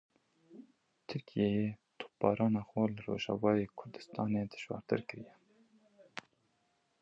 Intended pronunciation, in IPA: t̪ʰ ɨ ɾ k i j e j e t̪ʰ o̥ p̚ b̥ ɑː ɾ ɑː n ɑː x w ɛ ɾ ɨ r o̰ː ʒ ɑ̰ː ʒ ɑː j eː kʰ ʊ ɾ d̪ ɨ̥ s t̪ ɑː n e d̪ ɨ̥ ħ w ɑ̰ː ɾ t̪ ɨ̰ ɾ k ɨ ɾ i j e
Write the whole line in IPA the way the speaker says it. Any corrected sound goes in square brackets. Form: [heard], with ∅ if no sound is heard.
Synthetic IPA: t̪ʰ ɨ ɾ k i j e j e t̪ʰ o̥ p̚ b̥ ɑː ɾ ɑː n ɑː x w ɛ [l] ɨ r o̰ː ʒ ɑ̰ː [v] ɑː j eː kʰ ʊ ɾ d̪ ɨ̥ s t̪ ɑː n e d̪ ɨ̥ [ʃ] w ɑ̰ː ɾ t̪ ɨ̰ ɾ k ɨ ɾ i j [ɛ]